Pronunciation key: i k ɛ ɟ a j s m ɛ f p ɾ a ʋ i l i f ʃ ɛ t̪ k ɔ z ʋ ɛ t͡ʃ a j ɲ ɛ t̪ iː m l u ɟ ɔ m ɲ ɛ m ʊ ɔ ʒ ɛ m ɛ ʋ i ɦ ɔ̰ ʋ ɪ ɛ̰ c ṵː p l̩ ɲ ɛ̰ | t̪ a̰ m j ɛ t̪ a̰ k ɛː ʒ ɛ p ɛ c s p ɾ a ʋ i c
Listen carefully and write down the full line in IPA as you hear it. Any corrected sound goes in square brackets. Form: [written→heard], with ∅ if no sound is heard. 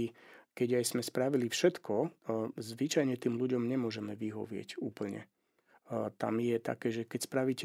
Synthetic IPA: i k ɛ ɟ a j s m ɛ [f→s] p ɾ a ʋ i l i f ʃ ɛ t̪ k ɔ z ʋ [ɛ→i] t͡ʃ a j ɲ ɛ t̪ iː m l u ɟ ɔ m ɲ ɛ m ʊ ɔ ʒ ɛ m ɛ ʋ i ɦ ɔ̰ ʋ ɪ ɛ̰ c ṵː p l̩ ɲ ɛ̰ | t̪ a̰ m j ɛ t̪ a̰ k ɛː ʒ ɛ [p→k] ɛ c s p ɾ a ʋ i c